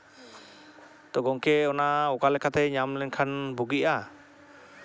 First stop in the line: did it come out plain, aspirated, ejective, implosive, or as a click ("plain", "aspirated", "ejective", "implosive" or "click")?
plain